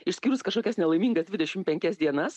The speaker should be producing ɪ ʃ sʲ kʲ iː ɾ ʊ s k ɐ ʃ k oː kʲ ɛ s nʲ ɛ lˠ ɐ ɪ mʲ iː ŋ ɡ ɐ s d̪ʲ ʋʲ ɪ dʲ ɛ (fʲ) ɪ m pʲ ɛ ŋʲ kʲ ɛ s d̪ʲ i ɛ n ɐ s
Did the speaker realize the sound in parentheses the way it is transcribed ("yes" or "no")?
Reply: no